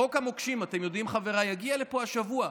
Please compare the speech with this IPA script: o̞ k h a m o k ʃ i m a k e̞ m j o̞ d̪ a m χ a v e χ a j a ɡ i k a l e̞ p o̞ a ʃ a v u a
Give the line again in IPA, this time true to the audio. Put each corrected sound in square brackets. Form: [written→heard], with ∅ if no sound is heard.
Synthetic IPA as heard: o̞ k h a m o k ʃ i m a [k→t] e̞ m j o̞ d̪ [a→i] m χ a v e [χ→ʁ] a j a ɡ i [k→∅] a l e̞ p o̞ a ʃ a v u a